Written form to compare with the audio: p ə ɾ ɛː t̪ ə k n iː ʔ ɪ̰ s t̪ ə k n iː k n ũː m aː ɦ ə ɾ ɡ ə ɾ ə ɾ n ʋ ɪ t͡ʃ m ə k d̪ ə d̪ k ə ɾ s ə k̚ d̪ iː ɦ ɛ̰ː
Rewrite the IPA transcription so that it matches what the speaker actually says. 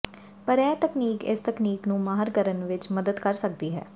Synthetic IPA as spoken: p ə ɾ ɛː t̪ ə k n iː k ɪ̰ s t̪ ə k n iː k n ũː m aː ɦ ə ɾ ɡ ə ɾ ə n ʋ ɪ t͡ʃ m ə d̪ ə d̪ k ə ɾ s ə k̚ d̪ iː ɦ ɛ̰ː